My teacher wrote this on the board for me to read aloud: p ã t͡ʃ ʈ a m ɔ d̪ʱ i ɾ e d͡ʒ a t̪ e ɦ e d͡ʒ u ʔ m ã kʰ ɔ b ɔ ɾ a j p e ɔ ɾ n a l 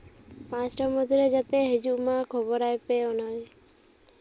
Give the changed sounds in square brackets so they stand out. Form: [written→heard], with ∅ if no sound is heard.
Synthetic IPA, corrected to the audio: p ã t͡ʃ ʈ a m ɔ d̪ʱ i ɾ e d͡ʒ a t̪ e ɦ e d͡ʒ u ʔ m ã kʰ ɔ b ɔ ɾ a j p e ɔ [ɾ→∅] n a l